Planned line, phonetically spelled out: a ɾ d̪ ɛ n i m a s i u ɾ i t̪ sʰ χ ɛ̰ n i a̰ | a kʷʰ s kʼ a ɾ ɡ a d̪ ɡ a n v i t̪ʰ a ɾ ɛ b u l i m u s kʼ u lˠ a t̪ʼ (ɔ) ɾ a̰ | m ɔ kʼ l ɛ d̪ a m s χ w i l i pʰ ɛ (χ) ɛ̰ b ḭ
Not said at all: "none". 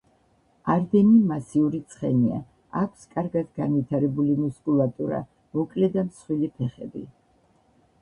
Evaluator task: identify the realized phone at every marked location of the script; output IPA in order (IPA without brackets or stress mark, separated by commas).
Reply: u, χ